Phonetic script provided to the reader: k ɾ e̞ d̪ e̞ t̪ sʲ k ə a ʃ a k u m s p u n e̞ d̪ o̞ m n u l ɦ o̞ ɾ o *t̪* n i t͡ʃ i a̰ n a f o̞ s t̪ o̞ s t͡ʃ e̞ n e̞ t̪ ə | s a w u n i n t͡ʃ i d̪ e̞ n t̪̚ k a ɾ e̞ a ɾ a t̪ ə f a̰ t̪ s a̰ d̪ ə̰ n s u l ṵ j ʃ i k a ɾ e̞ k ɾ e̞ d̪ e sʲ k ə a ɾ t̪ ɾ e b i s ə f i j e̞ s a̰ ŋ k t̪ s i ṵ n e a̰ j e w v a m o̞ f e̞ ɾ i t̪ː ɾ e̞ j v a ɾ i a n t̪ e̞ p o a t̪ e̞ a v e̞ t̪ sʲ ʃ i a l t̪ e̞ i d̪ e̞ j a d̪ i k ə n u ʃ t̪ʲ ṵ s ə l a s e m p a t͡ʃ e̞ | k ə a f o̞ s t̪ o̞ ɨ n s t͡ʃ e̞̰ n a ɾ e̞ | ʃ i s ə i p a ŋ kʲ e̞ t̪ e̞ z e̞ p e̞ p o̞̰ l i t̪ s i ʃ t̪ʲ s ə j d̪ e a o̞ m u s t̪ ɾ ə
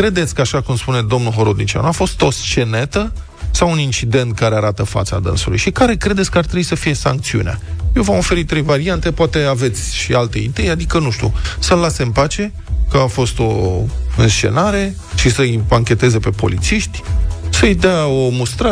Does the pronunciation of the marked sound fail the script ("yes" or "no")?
yes